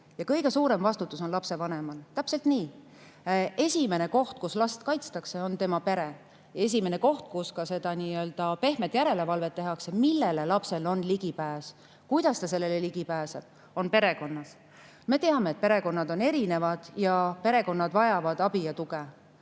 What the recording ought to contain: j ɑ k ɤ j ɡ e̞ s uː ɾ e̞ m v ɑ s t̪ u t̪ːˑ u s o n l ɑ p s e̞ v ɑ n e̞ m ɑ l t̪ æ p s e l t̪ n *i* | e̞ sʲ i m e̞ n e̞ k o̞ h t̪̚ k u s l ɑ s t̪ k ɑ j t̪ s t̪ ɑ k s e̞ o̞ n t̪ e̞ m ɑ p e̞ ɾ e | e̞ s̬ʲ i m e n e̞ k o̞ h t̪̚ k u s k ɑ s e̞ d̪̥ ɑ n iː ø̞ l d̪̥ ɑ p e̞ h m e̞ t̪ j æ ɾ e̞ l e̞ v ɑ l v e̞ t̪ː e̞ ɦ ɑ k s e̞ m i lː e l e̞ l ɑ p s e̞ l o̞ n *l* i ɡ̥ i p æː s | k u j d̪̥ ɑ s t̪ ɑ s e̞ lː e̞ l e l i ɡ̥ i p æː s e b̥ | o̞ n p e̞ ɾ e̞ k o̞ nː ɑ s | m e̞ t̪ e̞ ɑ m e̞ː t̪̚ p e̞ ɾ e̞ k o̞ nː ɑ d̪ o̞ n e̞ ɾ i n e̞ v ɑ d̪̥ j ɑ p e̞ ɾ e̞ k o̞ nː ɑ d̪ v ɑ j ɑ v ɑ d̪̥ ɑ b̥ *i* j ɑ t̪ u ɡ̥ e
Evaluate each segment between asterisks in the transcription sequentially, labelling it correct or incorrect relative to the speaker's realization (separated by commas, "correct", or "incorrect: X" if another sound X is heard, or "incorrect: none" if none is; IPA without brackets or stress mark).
incorrect: iː, correct, correct